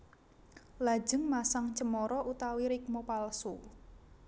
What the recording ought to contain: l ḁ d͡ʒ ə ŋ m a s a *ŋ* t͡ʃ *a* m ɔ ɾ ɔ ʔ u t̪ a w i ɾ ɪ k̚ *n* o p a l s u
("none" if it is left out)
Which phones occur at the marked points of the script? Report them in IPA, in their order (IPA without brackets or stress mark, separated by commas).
ŋ, ə, m